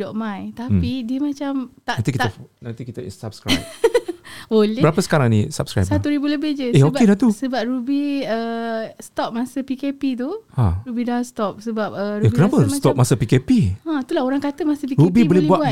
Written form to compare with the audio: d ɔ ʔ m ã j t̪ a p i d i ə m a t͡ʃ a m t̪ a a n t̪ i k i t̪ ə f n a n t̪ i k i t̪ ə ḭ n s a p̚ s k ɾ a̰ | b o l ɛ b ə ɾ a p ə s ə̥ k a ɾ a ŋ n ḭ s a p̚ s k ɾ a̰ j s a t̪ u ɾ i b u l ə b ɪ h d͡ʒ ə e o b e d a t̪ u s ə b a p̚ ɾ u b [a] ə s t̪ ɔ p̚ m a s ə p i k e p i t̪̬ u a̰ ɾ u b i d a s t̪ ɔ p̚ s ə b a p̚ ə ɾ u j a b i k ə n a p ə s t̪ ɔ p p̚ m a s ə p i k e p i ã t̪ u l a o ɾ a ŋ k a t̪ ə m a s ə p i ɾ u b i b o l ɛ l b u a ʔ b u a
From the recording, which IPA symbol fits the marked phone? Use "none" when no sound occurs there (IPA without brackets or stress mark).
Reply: i